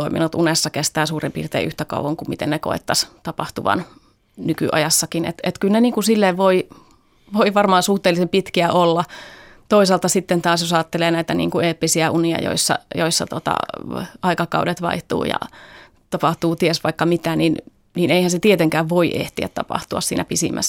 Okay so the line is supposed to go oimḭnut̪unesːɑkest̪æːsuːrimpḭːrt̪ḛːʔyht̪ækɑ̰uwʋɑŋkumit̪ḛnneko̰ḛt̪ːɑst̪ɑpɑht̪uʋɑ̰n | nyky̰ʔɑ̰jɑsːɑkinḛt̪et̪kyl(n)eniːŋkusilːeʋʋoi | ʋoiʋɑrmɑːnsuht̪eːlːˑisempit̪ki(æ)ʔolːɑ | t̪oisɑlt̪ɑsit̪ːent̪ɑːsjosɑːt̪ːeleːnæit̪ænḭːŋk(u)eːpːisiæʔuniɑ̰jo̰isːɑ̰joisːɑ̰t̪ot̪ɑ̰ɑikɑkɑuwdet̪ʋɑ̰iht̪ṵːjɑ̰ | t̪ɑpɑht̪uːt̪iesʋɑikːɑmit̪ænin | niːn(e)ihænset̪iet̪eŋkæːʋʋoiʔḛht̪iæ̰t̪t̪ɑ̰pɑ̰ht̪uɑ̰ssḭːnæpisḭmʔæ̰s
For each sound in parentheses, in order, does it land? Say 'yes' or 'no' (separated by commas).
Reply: yes, yes, yes, yes